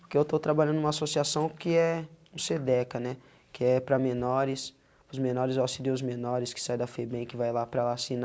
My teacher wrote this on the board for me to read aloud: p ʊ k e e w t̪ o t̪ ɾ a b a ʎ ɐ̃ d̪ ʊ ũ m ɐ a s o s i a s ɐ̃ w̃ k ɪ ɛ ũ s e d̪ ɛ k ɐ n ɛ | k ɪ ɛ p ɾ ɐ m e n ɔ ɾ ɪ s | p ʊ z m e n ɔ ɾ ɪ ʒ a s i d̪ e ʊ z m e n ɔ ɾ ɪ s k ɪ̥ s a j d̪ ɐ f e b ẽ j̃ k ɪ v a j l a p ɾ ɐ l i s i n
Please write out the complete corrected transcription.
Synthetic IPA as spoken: p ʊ k e e w t̪ o t̪ ɾ a b a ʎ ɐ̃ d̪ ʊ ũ m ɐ a s o s i a s ɐ̃ w̃ k ɪ ɛ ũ s e d̪ ɛ k ɐ n ɛ | k ɪ ɛ p ɾ ɐ m e n ɔ ɾ ɪ s | p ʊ z m e n ɔ ɾ ɪ z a s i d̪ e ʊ z m e n ɔ ɾ ɪ s k ɪ̥ s a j d̪ ɐ f e b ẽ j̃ k ɪ v a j l a p ɾ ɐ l a s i n